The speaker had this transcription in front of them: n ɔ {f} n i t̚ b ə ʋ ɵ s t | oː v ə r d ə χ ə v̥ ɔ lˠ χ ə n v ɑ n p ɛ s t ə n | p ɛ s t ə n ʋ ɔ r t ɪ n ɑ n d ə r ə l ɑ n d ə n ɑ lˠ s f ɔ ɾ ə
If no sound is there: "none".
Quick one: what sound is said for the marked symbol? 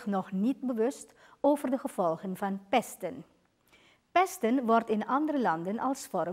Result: χ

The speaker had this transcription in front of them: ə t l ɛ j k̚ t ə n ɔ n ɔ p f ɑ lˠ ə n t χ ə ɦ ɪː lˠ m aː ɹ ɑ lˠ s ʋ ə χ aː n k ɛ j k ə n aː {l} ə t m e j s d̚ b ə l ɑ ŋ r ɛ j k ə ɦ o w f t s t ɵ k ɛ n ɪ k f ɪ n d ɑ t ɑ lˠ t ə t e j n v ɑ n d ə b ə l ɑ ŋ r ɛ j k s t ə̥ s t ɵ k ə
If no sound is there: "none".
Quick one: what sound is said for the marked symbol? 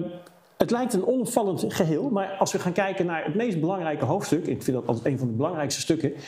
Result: ɹ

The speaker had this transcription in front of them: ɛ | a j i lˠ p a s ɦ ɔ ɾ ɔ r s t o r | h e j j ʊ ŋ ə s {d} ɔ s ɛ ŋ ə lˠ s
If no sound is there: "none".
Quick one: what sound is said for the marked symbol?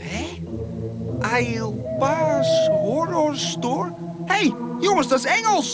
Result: d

